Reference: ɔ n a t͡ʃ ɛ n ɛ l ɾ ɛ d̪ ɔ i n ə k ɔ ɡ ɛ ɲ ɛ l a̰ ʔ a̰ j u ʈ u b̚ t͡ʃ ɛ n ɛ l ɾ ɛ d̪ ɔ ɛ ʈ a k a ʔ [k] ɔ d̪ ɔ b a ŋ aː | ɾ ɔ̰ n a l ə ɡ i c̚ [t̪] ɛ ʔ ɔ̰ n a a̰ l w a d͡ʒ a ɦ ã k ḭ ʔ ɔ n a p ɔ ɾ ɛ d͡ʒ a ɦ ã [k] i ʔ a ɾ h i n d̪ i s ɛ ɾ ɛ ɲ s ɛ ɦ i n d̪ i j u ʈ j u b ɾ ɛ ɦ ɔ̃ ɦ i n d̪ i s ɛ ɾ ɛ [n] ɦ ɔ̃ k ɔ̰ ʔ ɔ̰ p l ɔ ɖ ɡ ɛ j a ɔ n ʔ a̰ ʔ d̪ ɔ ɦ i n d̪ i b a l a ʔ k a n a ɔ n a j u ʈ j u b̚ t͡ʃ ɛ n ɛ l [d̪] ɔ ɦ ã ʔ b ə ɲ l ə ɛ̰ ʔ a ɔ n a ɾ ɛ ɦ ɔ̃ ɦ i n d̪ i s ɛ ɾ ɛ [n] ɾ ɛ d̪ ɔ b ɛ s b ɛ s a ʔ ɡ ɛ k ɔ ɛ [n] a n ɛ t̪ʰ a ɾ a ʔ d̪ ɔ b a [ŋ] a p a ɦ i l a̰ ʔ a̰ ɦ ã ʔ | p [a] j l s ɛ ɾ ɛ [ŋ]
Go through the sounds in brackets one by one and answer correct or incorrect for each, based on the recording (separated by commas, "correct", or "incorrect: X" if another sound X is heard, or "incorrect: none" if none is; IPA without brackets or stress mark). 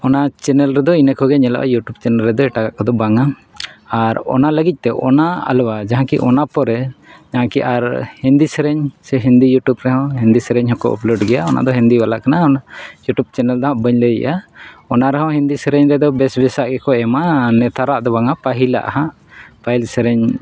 correct, correct, correct, incorrect: ɲ, correct, incorrect: ɲ, incorrect: m, correct, correct, incorrect: ɲ